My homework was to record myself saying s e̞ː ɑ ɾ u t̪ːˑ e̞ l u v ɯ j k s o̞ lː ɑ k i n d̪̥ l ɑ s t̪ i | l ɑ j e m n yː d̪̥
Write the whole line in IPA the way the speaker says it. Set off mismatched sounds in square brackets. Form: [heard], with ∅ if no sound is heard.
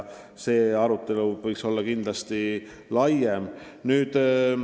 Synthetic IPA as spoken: s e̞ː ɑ ɾ u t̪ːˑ e̞ l u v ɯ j k s o̞ lː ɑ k i n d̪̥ l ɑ s t̪ i | l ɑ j e m n yː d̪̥